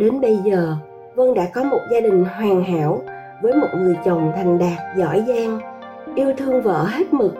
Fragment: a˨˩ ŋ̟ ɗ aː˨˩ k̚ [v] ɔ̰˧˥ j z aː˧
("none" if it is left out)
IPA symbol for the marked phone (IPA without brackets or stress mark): z